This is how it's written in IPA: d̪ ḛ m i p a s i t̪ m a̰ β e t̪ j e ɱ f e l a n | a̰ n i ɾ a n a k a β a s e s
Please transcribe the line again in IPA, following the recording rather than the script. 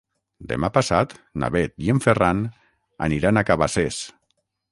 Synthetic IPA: d̪ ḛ m a p a s a t̪ n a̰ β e t̪ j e ɱ f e r a n | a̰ n i ɾ a n a k a β a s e s